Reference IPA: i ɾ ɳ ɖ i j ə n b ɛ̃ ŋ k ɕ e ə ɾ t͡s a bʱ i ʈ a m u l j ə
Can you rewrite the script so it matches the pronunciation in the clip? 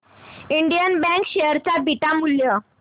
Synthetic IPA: i ɳ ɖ i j ə n b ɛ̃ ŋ k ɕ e ə ɾ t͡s a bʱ i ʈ a m u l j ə